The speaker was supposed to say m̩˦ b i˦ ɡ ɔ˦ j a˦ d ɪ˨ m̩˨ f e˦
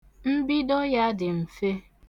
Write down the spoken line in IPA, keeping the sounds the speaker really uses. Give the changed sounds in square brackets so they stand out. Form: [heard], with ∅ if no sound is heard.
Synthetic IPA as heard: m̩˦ b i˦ [d] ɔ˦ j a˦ d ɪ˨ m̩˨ f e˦